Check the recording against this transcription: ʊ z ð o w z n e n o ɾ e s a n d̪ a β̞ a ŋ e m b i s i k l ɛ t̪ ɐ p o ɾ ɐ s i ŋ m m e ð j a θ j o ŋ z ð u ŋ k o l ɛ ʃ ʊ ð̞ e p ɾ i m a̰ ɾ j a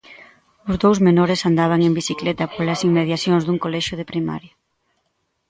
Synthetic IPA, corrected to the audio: ʊ z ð o w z m e n o ɾ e s a n d̪ a β̞ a ŋ e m b i s i k l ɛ t̪ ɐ p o l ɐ s i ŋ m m e ð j a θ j o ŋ z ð u ŋ k o l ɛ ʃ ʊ ð̞ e p ɾ i m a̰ ɾ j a

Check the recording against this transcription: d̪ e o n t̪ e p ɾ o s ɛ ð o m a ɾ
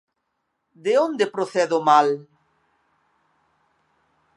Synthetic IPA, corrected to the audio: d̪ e o n d̪ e p ɾ o θ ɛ ð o m a l

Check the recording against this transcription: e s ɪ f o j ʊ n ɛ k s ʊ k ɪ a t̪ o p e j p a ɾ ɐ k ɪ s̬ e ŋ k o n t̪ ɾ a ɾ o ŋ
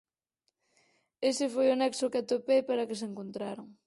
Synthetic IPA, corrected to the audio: e s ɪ f o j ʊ n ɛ k s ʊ k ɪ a t̪ o p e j p a ɾ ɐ k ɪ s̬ e ŋ k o n t̪ ɾ a ɾ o ŋ

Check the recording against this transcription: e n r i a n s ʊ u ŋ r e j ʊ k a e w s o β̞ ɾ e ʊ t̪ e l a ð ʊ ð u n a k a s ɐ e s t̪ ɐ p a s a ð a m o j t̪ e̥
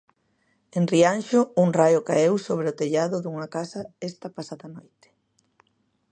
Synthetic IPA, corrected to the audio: e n r i a n ʃ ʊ u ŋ r a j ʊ k a e w s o β̞ ɾ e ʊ t̪ e ʎ a ð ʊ ð u ŋ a k a s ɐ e s t̪ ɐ p a s a ð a n o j t̪ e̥

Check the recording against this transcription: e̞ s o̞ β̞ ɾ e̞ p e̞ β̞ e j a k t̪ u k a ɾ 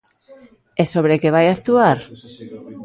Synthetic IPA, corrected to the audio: e̞ s o̞ β̞ ɾ e̞ k e̞ β̞ a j a k t̪ u a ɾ

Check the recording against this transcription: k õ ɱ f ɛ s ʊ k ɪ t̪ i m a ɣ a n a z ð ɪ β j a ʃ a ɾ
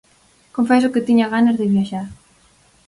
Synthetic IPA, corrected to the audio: k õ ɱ f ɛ s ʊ k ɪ t̪ i ɲ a ɣ a n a z ð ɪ β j a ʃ a ɾ

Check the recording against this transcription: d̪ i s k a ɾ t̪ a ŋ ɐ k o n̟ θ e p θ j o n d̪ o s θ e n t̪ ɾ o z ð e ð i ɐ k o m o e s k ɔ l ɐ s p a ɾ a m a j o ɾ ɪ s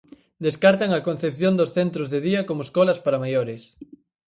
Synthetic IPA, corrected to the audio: d̪ e s k a ɾ t̪ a ŋ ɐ k o n̟ θ e p θ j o n d̪ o s θ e n t̪ ɾ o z ð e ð i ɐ k o m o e s k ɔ l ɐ s p a ɾ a m a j o ɾ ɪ s

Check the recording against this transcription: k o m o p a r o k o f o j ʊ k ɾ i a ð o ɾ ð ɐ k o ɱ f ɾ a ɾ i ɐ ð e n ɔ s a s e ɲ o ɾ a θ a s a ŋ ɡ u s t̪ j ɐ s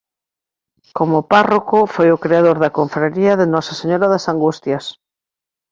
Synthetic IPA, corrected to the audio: k o m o p a r o k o f o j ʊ k ɾ e a ð o ɾ ð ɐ k o ɱ f ɾ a ɾ i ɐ ð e n ɔ s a s e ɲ o ɾ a ð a s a ŋ ɡ u s t̪ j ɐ s

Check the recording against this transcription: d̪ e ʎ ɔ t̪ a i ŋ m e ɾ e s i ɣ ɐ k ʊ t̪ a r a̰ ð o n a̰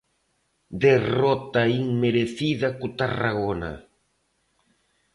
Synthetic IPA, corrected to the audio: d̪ e r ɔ t̪ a i ŋ m e ɾ e θ i ð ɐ k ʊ t̪ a r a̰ ɣ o n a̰

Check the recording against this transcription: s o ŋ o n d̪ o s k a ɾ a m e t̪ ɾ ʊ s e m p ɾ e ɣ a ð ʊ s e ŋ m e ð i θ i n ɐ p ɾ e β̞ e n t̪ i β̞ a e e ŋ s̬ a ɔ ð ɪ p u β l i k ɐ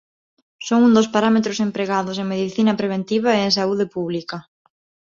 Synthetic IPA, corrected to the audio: s o ŋ u n d̪ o s p a ɾ a m e t̪ ɾ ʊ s e m p ɾ e ɣ a ð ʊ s e ŋ m e ð i θ i n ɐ p ɾ e β̞ e n t̪ i β̞ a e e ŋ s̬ a u ð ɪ p u β l i k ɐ

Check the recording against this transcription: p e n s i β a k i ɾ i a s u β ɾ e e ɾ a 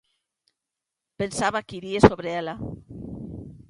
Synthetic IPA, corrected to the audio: p e n s a β a k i ɾ i e s o β ɾ e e l a

